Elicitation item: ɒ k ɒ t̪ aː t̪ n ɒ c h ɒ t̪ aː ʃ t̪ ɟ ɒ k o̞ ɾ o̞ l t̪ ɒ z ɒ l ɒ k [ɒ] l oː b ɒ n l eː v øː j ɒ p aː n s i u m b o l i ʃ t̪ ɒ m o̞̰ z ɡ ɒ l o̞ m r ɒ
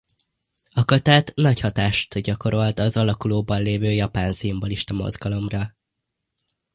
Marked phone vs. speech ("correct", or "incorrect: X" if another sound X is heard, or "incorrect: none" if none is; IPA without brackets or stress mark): incorrect: u